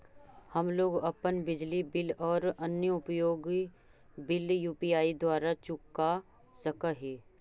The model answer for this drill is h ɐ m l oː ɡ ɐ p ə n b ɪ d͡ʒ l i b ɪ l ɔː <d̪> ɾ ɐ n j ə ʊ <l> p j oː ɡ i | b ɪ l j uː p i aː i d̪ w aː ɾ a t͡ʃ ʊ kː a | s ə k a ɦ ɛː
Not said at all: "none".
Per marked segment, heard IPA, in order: none, none

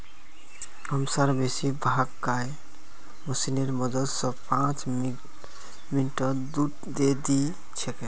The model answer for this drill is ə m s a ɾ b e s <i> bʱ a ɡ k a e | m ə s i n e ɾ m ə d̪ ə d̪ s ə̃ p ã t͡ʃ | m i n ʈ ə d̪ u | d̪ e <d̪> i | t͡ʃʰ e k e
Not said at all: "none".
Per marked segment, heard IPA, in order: i, d̪

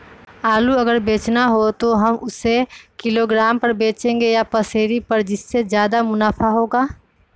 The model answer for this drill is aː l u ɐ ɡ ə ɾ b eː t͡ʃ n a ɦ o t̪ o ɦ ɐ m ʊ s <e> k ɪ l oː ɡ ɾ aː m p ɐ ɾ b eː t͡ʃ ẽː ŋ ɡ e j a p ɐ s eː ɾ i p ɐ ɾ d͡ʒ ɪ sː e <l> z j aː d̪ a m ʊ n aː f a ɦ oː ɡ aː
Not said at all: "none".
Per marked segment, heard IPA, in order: e, none

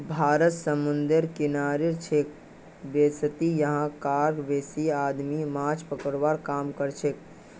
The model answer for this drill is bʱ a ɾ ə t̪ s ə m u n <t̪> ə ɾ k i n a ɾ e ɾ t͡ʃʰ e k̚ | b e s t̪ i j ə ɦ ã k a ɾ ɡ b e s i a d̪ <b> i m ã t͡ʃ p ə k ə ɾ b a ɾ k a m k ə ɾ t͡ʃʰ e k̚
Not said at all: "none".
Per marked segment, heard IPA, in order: d̪, m

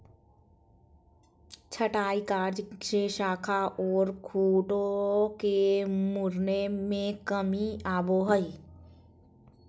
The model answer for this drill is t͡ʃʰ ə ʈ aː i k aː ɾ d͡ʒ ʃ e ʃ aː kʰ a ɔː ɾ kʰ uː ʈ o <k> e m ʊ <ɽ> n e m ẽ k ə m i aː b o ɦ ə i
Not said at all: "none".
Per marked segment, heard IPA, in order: k, ɾ

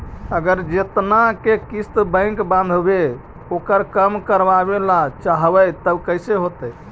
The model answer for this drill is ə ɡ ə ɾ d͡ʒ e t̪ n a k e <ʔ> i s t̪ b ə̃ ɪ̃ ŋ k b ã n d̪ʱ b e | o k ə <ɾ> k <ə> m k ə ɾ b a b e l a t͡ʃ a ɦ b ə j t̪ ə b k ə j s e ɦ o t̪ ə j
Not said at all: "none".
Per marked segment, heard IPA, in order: k, ɾ, ə

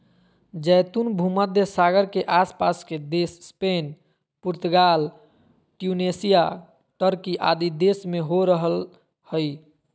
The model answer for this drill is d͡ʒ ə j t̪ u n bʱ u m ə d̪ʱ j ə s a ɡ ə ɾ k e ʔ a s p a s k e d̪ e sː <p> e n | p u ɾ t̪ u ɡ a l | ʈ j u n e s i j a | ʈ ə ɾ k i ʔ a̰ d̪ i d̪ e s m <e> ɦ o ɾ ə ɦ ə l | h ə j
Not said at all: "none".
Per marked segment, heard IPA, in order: p, e

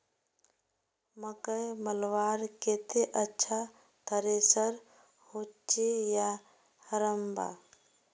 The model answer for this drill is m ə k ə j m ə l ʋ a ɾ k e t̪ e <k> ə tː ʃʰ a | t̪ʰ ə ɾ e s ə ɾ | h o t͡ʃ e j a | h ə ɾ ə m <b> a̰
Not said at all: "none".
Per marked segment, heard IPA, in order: ʔ, b

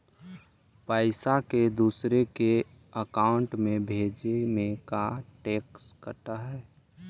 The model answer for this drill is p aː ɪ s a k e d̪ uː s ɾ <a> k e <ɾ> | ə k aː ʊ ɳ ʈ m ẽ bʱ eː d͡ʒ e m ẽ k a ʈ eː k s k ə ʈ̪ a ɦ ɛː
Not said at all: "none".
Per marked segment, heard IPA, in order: e, none

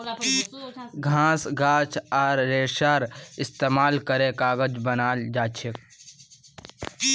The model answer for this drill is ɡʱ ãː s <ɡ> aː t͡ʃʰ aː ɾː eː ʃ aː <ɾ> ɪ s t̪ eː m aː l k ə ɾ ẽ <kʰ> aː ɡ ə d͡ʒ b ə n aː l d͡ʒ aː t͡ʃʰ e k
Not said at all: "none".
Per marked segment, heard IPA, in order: ɡ, ɾ, k

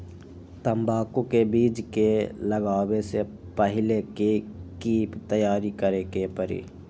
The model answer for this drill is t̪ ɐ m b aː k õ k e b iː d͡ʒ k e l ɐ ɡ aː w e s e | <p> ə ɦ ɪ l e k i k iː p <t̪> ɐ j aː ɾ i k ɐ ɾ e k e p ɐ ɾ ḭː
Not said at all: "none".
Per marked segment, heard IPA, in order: p, t̪

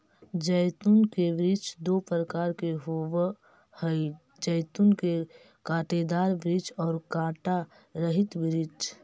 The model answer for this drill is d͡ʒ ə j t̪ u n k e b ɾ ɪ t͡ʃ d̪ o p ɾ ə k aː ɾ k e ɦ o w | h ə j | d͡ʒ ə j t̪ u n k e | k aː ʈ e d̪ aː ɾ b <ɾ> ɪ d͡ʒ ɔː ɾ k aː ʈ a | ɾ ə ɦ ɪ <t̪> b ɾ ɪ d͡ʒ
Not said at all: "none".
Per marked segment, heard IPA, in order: ɾ, t̪

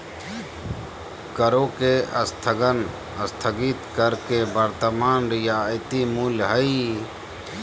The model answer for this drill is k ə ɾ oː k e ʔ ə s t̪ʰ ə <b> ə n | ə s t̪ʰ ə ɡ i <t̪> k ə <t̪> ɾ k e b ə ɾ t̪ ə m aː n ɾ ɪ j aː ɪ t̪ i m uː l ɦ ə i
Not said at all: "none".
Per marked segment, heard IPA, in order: ɡ, t̪, none

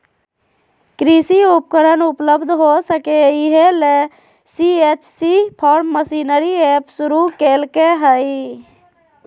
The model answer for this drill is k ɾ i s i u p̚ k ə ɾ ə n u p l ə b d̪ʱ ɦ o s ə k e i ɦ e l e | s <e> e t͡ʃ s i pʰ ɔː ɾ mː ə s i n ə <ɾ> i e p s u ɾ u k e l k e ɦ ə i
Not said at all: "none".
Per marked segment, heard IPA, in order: i, ɾ

